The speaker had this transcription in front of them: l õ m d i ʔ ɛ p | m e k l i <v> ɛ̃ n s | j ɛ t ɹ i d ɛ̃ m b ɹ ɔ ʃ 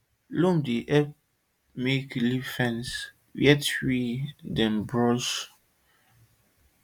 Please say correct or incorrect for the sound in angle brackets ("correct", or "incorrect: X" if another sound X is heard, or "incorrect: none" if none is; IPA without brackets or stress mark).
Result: incorrect: f